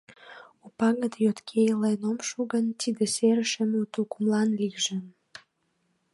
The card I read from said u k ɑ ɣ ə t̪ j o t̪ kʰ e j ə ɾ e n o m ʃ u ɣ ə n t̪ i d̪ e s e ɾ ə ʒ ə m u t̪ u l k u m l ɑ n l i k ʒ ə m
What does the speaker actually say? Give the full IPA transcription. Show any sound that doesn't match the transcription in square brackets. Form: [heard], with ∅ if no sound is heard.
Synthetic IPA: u [p] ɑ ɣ ə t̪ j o t̪ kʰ e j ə [l] e n o m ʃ u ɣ ə n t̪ i d̪ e s e ɾ ə [ʃ] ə m u t̪ u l k u m l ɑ n l i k ʒ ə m

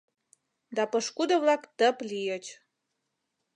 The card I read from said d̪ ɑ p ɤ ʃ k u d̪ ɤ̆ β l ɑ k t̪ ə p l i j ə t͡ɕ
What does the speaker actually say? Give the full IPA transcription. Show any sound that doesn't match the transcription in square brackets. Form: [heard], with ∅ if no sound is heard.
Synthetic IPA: d̪ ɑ p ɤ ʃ k u d̪ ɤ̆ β l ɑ k t̪ ə p l i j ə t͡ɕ

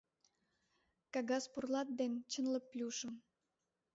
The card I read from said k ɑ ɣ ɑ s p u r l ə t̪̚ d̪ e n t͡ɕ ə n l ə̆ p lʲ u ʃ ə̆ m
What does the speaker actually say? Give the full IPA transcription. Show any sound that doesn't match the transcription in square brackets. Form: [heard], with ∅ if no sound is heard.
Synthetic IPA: k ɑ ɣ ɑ s p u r l [ɑ] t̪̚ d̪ e n t͡ɕ ə n l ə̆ p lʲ u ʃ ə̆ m

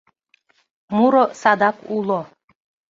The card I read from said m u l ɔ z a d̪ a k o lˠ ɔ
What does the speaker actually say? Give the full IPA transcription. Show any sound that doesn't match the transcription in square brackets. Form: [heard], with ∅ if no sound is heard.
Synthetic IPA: m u [ɾ] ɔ [s] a d̪ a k [u] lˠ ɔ

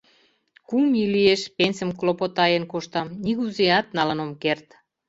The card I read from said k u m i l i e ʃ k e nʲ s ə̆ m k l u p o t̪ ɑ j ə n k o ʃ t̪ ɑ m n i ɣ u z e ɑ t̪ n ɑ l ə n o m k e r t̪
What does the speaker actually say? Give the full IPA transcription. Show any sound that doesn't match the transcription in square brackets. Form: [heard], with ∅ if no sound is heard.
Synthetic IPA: k u m i l i e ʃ [p] e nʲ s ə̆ m k l [o] p o t̪ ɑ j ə n k o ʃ t̪ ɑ m n i ɣ u z e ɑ t̪ n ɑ l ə n o m k e r t̪

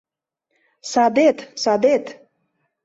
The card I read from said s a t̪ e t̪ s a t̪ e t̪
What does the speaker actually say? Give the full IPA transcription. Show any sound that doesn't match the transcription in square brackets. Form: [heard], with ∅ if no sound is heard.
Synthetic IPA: s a [d̪] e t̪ s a [d̪] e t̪

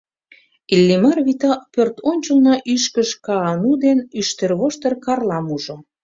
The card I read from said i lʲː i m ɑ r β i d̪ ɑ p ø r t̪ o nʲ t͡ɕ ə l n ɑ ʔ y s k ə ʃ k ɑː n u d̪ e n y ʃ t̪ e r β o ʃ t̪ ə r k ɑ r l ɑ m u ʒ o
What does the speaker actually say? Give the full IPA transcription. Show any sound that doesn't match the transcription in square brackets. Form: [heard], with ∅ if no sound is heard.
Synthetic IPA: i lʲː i m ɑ r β i [t̪] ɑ p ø r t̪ o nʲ t͡ɕ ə l n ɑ ʔ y [ʃ] k ə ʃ k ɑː n u d̪ e n y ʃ t̪ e r β o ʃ t̪ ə r k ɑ r l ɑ m u ʒ o

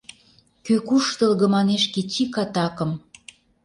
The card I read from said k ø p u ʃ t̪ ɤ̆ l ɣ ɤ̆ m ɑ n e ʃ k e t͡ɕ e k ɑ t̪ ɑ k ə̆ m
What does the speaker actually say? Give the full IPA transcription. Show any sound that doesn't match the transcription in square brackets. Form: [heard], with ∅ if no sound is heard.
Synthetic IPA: k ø [k] u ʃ t̪ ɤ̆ l ɣ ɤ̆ m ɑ n e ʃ k e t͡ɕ [i] k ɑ t̪ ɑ k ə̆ m

